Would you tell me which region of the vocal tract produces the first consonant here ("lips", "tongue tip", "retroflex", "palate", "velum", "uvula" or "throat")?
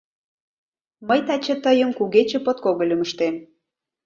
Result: lips